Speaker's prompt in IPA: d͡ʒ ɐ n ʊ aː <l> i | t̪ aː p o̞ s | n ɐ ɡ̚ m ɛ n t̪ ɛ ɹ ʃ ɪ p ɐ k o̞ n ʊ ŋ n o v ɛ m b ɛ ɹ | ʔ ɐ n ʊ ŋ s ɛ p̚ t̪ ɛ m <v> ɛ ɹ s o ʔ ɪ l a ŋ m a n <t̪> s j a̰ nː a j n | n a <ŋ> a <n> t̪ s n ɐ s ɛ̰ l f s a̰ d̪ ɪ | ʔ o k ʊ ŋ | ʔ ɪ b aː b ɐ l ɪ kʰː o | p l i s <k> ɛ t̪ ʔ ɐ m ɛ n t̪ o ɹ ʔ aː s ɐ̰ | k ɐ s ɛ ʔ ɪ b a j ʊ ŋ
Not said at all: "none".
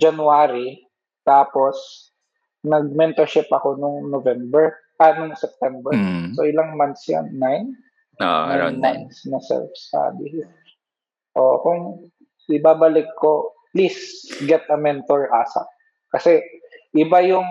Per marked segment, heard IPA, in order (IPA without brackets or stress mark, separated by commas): ɾ, b, t̪, m, n, ɡ